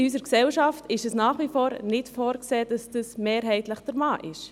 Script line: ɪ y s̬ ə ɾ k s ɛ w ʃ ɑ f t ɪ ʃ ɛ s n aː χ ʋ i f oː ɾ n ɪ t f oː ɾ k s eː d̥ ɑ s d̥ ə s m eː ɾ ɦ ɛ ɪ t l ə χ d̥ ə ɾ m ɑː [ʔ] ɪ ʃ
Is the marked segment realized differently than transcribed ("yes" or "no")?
no